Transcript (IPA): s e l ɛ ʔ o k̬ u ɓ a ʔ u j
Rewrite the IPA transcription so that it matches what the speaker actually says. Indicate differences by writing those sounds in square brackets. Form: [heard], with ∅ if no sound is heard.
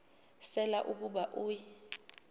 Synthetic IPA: s [ɛ] l [a] ʔ [u] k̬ u ɓ a ʔ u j